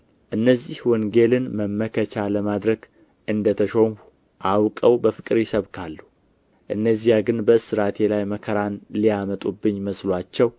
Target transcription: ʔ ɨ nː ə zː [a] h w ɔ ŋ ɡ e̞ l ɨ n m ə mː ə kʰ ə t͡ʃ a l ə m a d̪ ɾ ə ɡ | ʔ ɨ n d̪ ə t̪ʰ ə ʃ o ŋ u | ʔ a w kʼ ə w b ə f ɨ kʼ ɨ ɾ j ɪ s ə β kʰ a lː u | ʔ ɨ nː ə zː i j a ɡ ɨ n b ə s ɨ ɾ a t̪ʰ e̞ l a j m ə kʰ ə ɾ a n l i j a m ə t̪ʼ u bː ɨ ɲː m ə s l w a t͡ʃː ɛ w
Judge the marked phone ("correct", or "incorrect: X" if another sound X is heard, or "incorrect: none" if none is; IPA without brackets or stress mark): incorrect: i